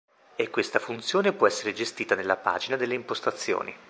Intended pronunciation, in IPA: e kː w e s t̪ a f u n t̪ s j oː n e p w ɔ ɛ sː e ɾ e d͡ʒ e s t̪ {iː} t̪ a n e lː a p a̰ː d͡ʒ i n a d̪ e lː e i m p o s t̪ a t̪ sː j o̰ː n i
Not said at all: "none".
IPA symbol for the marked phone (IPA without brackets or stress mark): iː